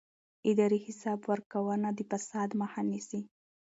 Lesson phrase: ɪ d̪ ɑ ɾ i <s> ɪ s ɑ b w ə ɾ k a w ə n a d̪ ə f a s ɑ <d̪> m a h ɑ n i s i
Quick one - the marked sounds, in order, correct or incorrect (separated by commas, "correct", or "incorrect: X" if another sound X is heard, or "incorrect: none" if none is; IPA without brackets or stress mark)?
incorrect: h, correct